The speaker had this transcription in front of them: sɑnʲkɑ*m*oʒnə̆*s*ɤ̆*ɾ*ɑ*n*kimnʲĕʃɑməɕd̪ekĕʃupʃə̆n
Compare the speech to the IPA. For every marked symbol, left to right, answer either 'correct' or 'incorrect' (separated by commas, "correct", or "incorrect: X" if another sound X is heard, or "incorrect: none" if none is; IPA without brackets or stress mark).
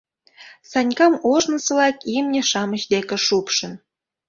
correct, correct, incorrect: l, incorrect: none